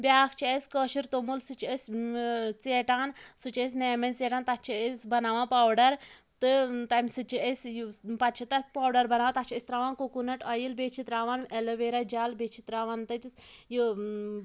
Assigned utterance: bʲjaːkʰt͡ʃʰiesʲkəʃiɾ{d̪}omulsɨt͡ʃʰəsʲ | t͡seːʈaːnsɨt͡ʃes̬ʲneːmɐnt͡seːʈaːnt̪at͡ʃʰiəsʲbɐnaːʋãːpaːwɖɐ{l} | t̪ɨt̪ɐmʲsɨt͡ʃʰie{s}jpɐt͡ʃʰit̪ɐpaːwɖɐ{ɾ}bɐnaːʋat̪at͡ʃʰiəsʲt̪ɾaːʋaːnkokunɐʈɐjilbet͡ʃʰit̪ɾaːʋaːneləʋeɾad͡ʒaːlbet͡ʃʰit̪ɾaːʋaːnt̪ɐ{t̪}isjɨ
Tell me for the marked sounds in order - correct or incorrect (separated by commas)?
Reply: incorrect, incorrect, correct, correct, correct